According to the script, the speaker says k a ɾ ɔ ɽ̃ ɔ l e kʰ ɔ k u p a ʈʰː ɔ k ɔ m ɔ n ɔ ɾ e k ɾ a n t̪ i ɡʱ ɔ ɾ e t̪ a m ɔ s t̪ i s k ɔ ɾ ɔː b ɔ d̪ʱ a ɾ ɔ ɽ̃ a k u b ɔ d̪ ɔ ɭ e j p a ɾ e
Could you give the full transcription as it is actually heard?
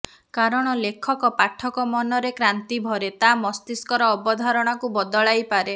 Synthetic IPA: k a ɾ ɔ ɽ̃ ɔ l e kʰ ɔ k ɔ p a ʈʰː ɔ k ɔ m ɔ n ɔ ɾ e k ɾ a n t̪ i bʱ ɔ ɾ e t̪ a m ɔ s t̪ i s k ɔ ɾ ɔː b ɔ d̪ʱ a ɾ ɔ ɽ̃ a k u b ɔ d̪ ɔ ɭ a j p a ɾ e